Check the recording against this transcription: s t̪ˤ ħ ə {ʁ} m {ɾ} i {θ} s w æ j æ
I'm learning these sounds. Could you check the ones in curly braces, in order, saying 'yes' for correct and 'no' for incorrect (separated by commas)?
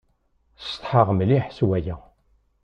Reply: yes, no, no